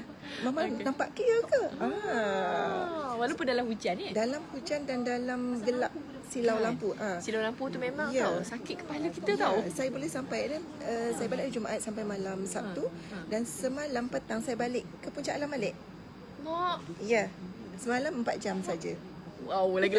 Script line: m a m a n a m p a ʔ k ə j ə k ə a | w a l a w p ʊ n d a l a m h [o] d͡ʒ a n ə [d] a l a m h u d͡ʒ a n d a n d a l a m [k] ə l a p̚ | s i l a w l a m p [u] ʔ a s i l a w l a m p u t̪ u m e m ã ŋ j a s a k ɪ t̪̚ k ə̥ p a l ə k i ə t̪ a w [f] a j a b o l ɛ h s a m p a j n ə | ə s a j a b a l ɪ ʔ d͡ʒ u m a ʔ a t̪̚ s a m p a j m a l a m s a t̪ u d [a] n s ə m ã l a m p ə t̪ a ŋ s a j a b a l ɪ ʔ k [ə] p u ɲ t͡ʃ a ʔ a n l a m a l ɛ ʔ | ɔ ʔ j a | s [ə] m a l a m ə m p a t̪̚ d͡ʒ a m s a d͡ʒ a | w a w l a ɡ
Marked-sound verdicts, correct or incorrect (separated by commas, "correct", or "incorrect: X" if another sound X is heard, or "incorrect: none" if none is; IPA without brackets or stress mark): incorrect: u, correct, incorrect: ɡ, correct, incorrect: s, correct, correct, correct